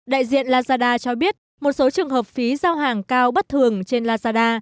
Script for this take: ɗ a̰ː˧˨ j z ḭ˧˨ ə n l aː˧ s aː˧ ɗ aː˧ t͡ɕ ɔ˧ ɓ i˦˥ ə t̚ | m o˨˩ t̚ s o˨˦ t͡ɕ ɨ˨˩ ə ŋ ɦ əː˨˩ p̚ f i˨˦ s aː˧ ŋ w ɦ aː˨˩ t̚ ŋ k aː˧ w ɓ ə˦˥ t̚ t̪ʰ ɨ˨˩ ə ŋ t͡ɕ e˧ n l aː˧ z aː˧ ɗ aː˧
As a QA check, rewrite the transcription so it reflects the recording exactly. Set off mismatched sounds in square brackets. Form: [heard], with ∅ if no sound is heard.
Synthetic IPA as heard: ɗ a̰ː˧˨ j z ḭ˧˨ ə n l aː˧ [z] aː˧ ɗ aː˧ t͡ɕ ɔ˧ ɓ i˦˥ ə t̚ | m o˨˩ t̚ s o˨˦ t͡ɕ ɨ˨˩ ə ŋ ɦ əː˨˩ p̚ f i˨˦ [z] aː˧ [∅] w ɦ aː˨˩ [∅] ŋ k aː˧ w ɓ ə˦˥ t̚ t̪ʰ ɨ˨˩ ə ŋ t͡ɕ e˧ n l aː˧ z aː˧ ɗ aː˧